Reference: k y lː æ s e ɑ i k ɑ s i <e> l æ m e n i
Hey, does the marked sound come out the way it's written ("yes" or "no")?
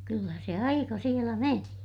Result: yes